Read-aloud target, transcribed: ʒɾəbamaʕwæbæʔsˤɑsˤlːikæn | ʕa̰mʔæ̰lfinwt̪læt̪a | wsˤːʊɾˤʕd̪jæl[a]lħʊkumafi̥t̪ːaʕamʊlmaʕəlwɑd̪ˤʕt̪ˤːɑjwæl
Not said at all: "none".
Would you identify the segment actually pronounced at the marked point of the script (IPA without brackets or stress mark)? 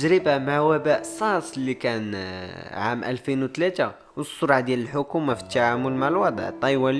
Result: ə